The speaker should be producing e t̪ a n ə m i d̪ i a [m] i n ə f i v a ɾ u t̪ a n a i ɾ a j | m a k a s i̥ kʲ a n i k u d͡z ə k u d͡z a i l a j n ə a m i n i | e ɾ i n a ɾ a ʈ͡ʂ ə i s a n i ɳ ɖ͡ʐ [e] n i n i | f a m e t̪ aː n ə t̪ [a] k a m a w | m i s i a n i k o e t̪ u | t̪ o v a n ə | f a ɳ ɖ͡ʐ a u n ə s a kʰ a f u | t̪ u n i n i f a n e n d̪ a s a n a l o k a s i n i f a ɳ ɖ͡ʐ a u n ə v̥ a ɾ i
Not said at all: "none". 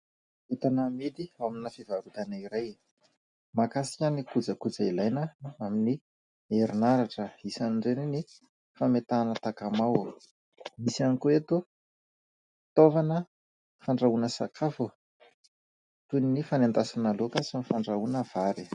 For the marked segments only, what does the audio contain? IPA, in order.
m, e, a

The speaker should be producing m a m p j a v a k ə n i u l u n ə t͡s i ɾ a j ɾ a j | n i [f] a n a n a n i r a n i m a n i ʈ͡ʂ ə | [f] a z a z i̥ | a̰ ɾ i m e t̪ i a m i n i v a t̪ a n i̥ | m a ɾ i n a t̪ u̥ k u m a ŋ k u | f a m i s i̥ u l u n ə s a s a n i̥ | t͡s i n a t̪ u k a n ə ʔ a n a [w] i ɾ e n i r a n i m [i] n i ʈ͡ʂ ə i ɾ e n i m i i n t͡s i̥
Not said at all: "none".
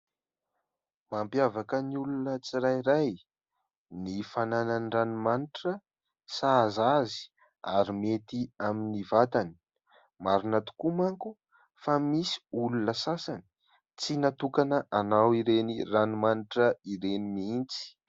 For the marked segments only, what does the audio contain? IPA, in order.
f, s, w, a

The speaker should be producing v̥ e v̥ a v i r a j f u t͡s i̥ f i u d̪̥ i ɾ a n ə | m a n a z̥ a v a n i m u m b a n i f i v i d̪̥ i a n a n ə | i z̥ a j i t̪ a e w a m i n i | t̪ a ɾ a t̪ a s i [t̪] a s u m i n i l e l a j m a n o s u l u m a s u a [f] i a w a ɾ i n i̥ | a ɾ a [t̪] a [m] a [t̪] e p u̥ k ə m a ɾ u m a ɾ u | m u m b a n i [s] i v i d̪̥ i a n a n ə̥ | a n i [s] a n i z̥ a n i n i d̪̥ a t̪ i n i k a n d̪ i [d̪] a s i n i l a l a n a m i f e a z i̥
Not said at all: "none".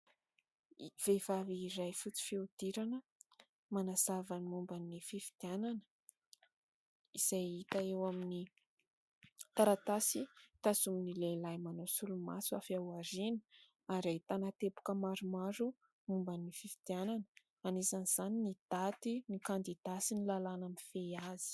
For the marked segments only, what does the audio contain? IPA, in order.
t̪, f, t̪, n, t̪, f, z, d̪

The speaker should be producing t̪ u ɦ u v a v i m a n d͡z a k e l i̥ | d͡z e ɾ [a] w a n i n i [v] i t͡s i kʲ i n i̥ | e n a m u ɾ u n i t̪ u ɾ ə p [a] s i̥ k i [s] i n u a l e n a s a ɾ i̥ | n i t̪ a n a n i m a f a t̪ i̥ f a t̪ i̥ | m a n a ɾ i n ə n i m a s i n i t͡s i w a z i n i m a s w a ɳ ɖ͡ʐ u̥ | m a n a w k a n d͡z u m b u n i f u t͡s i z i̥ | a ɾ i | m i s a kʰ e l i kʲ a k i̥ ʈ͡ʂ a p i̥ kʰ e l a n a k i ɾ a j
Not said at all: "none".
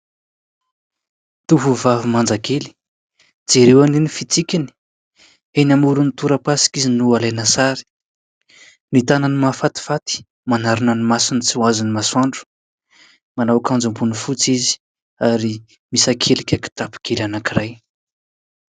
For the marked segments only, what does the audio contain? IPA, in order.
e, f, a, z

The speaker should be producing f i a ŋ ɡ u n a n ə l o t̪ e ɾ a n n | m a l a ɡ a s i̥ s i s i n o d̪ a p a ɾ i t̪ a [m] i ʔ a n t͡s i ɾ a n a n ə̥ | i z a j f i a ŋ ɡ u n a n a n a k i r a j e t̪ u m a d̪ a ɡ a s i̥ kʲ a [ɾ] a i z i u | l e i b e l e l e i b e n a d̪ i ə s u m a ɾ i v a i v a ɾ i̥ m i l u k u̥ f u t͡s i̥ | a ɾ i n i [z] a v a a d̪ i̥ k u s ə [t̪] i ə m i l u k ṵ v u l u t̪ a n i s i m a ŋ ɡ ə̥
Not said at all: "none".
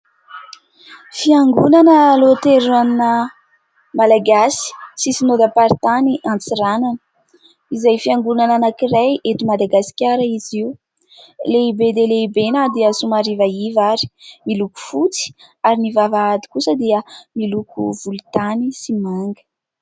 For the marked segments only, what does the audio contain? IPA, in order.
n, ɾ, v, d̪

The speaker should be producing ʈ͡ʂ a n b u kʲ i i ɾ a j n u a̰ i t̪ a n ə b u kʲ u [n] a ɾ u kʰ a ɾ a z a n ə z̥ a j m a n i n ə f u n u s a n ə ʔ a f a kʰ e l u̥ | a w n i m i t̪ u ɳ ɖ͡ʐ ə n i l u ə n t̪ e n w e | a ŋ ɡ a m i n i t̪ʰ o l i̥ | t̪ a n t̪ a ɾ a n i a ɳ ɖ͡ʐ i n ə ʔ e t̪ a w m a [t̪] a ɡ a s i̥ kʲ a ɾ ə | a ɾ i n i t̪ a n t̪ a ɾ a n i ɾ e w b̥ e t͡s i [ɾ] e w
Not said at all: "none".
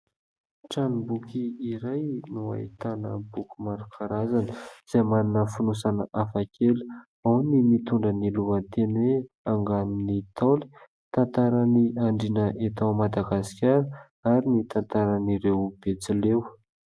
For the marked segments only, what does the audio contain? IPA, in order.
m, d̪, l

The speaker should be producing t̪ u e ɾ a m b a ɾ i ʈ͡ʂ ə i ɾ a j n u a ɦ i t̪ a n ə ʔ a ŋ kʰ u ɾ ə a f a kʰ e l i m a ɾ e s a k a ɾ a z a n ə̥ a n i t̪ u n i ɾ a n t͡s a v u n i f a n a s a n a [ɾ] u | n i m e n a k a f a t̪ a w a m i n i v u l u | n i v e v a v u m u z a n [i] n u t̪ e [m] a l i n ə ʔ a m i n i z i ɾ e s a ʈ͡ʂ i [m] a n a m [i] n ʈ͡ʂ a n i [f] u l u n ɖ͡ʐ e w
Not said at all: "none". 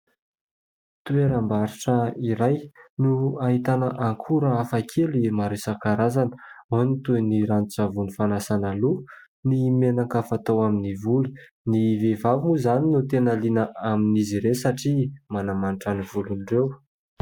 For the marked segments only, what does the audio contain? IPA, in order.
l, i, n, m, a, v

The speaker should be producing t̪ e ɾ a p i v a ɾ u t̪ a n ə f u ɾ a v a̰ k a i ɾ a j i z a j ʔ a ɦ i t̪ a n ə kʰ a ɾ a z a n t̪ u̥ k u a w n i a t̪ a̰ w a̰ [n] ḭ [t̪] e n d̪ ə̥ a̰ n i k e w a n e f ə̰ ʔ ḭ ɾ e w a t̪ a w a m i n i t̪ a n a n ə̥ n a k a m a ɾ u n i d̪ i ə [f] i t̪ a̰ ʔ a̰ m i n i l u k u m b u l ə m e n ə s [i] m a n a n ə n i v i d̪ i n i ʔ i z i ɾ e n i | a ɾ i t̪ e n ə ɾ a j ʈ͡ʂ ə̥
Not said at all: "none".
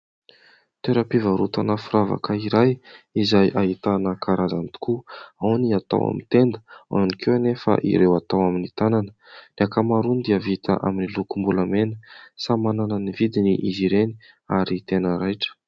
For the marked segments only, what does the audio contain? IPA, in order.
m, t̪, v, a

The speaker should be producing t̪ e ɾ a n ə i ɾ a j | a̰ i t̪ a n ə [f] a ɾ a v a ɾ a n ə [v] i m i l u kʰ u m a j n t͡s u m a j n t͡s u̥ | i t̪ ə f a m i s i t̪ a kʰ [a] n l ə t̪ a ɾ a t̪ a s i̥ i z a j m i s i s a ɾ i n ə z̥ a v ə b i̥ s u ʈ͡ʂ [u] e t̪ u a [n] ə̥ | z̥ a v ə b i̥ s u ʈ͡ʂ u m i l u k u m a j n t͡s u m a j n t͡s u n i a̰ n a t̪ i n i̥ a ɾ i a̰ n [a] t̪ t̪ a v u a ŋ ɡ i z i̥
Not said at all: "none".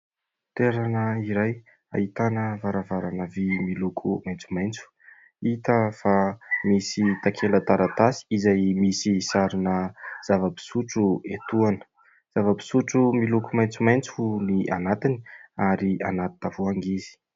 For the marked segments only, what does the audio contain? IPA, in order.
v, v, e, u, n, a

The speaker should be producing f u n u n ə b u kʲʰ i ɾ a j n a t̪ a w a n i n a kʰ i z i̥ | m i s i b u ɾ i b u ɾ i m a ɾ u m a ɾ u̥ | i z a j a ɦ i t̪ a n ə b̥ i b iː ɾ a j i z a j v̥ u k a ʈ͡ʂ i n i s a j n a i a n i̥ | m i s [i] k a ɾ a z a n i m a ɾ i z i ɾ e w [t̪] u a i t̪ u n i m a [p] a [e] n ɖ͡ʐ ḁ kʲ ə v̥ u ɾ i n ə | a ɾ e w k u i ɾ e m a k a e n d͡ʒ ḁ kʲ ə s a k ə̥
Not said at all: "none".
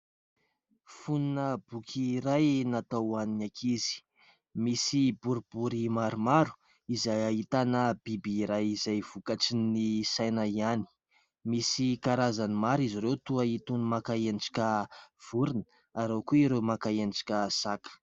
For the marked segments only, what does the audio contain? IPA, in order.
i, t̪, k, e

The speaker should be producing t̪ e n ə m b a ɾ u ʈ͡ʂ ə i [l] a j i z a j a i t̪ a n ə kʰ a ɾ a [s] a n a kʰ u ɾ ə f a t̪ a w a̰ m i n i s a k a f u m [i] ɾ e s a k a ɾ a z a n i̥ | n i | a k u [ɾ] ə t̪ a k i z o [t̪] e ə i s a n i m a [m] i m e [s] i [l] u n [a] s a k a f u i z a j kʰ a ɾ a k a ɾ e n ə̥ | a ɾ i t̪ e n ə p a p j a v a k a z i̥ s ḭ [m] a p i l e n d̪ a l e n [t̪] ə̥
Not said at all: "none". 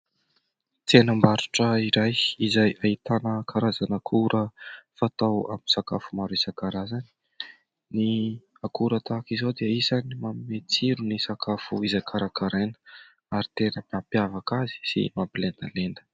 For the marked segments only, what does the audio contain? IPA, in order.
ɾ, z, a, ɾ, d̪, m, t͡s, ɾ, i, m, d̪

